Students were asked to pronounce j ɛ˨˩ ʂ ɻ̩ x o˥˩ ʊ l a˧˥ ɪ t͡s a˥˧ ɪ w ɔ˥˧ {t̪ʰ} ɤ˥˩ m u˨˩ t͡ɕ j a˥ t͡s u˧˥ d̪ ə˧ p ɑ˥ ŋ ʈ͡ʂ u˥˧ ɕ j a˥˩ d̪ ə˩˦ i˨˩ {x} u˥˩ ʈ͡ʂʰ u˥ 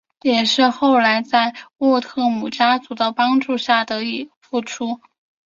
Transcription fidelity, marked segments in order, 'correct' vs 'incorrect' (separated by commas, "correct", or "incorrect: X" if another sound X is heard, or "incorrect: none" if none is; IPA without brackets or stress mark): correct, incorrect: f